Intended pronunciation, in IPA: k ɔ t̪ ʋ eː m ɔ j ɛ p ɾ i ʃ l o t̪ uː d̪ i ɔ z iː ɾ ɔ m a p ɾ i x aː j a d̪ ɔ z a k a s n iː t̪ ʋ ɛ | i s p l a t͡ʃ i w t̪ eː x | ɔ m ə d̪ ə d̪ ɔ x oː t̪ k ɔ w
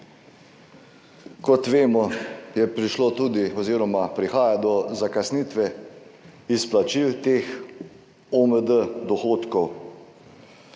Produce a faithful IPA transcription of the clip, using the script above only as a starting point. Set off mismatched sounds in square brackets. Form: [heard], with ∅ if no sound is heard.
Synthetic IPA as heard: k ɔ t̪ ʋ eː m ɔ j ɛ p ɾ i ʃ l o t̪ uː d̪ i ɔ z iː ɾ ɔ m a p ɾ i x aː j a d̪ ɔ z a k a s n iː t̪ ʋ ɛ | i s p l a t͡ʃ i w t̪ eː x | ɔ m ə d̪ ə d̪ ɔ x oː t̪ k ɔ w